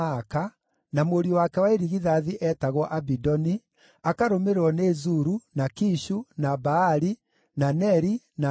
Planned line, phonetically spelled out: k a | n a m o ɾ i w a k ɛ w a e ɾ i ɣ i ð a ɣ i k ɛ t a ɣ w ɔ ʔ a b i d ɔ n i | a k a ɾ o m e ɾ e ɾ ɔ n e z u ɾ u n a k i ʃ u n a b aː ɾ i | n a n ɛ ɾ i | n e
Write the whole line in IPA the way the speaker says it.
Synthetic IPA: k a | n a m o ɾ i w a k ɛ w a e ɾ i ɣ i ð a ð i ʔ ɛ t a ɣ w ɔ ʔ a b i d ɔ n i | a k a ɾ o m e ɾ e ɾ ɔ n e z u ɾ u n a k i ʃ u n a b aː ɾ i | n a n ɛ ɾ i | n a